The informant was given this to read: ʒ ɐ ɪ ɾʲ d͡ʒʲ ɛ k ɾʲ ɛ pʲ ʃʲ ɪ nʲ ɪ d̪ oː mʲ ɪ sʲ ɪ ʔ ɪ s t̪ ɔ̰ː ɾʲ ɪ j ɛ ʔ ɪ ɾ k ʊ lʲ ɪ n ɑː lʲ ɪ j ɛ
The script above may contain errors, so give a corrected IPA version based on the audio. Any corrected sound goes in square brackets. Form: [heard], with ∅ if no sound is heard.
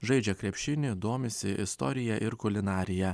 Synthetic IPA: ʒ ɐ ɪ [∅] d͡ʒʲ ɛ k ɾʲ ɛ pʲ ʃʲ ɪ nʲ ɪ d̪ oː mʲ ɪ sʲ ɪ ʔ ɪ s t̪ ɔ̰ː ɾʲ ɪ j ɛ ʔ ɪ ɾ k ʊ lʲ ɪ n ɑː [ɾʲ] ɪ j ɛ

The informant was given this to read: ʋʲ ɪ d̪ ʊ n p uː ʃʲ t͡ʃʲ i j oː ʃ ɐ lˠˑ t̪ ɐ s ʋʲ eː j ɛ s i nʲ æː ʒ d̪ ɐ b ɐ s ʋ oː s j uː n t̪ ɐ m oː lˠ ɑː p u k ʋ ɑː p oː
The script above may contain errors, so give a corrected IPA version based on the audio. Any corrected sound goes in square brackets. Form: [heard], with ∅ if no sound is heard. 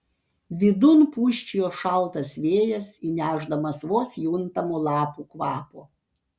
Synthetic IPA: ʋʲ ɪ d̪ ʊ n p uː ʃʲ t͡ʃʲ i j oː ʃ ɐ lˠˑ t̪ ɐ s ʋʲ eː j ɛ s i nʲ æː ʒ d̪ ɐ [m] ɐ s ʋ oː s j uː n t̪ ɐ m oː lˠ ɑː p u k ʋ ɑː p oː

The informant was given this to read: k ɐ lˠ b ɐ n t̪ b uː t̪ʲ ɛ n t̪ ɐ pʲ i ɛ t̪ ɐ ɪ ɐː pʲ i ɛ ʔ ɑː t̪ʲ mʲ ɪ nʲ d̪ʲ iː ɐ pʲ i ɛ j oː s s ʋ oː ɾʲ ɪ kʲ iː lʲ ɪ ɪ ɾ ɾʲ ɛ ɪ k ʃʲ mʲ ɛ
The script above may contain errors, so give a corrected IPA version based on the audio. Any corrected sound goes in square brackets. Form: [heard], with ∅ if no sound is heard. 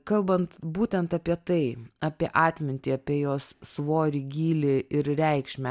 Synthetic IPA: k ɐ lˠ b ɐ n t̪ b uː t̪ʲ ɛ n t̪ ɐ pʲ i ɛ t̪ ɐ ɪ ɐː pʲ i ɛ ʔ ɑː t̪ʲ mʲ ɪ nʲ [t̪ʲ] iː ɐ pʲ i ɛ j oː s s ʋ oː ɾʲ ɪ [ɡʲ] iː lʲ ɪ ɪ ɾ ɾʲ ɛ ɪ k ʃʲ mʲ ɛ

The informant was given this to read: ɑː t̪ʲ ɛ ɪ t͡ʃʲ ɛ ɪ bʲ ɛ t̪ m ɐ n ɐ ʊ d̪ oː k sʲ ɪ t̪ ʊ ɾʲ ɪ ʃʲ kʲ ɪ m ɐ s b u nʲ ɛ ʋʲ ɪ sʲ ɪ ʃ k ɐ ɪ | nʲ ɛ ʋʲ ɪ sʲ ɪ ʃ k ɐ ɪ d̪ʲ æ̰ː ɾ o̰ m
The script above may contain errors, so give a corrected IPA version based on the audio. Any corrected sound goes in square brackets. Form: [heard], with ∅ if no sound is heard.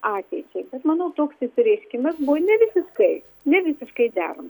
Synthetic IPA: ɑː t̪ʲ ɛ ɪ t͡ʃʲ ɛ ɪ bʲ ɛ t̪ m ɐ n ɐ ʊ [t̪] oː k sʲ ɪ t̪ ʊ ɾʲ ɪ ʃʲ kʲ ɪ m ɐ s b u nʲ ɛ ʋʲ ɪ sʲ ɪ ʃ k ɐ ɪ | nʲ ɛ ʋʲ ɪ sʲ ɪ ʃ k ɐ ɪ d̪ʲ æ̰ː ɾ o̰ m

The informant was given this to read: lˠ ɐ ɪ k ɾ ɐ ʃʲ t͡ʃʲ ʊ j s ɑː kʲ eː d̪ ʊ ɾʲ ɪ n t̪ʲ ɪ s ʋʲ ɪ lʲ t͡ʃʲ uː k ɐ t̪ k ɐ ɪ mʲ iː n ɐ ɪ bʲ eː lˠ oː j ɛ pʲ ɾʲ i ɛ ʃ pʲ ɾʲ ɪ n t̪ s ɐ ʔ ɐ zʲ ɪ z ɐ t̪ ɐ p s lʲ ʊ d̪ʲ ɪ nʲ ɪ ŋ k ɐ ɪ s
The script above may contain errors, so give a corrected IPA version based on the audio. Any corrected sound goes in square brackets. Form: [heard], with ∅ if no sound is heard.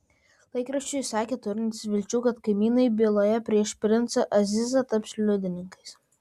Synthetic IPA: lˠ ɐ ɪ k ɾ ɐ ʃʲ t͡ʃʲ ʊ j s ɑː kʲ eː [t̪] ʊ ɾʲ ɪ n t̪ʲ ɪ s ʋʲ ɪ lʲ t͡ʃʲ uː k ɐ t̪ k ɐ ɪ mʲ iː n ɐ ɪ bʲ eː lˠ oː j ɛ pʲ ɾʲ i ɛ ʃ pʲ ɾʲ ɪ n t̪ s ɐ ʔ ɐ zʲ ɪ z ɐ t̪ ɐ p s lʲ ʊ d̪ʲ ɪ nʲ ɪ ŋ k ɐ ɪ s

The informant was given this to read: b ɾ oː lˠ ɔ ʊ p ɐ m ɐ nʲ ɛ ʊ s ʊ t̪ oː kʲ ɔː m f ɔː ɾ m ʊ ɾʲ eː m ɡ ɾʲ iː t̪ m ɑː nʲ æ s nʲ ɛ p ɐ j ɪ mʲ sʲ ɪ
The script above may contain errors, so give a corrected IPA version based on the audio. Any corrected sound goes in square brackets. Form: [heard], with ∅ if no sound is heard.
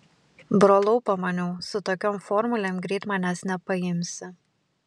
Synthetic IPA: b ɾ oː lˠ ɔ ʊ p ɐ m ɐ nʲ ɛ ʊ s ʊ t̪ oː kʲ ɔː m f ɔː ɾ m ʊ [lʲ] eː m ɡ ɾʲ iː t̪ m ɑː nʲ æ s nʲ ɛ p ɐ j ɪ mʲ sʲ ɪ

